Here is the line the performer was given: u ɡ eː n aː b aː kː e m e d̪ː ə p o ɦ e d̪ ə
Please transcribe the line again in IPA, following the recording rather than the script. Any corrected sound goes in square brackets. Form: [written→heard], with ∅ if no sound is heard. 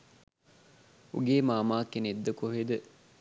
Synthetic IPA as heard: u ɡ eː [n→m] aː [b→m] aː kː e [m→n] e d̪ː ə [p→k] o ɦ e d̪ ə